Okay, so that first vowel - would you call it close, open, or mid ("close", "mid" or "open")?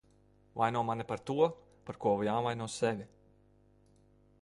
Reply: open